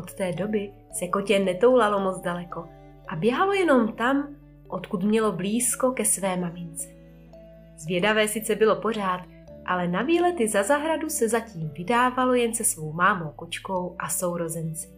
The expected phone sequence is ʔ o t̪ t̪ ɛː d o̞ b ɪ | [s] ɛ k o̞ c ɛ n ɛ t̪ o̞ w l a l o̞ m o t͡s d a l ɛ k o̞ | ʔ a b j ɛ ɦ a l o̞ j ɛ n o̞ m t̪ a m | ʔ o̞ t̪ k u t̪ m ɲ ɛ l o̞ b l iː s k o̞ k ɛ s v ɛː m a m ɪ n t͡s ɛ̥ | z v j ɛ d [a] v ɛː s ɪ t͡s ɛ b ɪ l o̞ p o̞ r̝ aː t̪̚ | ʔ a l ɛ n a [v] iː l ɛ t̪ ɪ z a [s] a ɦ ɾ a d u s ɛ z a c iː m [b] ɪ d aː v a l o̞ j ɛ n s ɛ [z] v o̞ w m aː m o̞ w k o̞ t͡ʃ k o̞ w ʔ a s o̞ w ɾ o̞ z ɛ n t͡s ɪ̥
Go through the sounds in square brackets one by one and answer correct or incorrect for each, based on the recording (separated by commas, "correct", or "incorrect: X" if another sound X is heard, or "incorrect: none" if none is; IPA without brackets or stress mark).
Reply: correct, correct, correct, incorrect: z, incorrect: v, incorrect: s